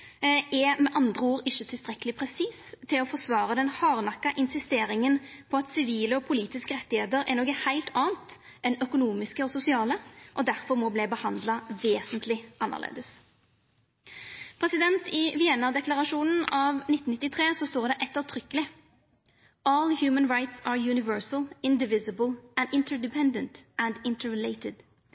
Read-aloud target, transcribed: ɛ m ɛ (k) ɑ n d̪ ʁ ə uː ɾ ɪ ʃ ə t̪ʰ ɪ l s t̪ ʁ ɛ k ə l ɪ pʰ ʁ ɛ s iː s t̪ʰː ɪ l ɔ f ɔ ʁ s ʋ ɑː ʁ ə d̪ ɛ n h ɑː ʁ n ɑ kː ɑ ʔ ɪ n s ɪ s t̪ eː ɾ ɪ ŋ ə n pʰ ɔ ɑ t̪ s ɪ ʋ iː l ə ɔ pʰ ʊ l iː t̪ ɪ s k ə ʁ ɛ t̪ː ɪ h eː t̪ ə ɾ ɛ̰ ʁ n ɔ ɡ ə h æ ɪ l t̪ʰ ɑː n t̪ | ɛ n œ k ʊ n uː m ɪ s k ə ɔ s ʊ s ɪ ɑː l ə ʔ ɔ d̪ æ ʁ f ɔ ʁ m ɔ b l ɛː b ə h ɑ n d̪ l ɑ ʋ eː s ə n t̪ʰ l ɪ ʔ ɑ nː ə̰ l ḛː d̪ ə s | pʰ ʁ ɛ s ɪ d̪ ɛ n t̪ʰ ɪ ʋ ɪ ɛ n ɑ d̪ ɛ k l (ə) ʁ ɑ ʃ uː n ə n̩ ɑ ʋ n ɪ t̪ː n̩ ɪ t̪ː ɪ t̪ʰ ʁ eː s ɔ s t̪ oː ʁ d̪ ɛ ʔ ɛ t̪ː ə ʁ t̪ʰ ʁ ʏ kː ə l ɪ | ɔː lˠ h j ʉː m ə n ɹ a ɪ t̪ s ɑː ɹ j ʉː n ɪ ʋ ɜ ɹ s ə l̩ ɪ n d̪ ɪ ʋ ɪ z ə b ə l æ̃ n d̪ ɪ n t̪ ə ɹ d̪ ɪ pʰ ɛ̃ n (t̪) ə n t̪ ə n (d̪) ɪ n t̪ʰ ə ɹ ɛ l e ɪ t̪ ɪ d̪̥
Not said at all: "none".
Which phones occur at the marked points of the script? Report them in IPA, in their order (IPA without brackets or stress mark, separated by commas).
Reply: ʔ, ɑ, d̪, d̪